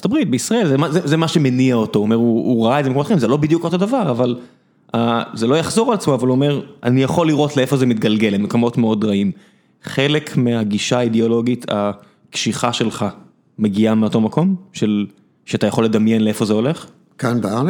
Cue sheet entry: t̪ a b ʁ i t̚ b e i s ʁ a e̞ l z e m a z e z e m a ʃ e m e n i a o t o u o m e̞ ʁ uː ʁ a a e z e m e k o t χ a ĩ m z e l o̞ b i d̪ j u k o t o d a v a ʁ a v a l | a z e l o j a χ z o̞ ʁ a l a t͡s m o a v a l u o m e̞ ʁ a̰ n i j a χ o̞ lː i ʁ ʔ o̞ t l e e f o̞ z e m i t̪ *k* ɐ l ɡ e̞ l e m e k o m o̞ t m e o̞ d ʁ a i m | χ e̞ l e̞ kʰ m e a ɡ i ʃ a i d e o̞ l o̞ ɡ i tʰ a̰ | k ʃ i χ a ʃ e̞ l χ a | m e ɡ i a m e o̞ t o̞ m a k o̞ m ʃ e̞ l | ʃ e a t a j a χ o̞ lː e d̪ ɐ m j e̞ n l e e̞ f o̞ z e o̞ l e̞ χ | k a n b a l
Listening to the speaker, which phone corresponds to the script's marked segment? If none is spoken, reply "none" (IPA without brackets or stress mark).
ɡ